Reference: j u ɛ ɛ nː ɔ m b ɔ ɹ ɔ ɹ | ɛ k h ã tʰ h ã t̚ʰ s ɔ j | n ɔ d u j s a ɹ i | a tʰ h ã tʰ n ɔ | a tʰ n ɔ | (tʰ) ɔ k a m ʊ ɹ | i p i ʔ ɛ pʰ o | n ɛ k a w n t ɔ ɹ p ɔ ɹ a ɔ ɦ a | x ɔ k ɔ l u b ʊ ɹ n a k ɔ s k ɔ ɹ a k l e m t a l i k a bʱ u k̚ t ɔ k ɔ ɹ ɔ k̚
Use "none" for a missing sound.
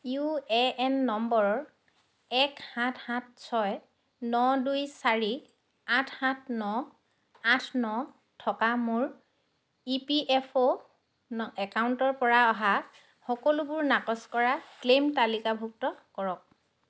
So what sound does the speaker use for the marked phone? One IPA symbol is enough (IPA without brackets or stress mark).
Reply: tʰ